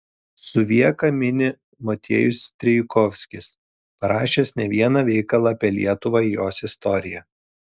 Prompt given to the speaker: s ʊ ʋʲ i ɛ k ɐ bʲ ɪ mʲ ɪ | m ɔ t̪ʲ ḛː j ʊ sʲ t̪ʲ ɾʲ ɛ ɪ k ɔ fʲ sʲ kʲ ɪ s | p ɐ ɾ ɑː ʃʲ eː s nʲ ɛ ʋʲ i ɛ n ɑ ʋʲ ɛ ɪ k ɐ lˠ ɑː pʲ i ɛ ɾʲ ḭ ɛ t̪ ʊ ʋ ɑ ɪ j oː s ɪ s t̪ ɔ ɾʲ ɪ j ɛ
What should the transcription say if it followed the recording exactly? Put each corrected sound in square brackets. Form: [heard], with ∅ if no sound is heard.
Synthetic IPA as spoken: s ʊ ʋʲ i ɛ k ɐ [mʲ] ɪ [nʲ] ɪ | m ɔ t̪ʲ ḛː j ʊ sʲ t̪ʲ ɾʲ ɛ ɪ k ɔ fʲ sʲ kʲ ɪ s | p ɐ ɾ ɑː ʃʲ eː s nʲ ɛ ʋʲ i ɛ n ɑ ʋʲ ɛ ɪ k ɐ lˠ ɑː pʲ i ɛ [lʲ] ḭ ɛ t̪ ʊ ʋ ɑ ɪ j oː s ɪ s t̪ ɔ ɾʲ ɪ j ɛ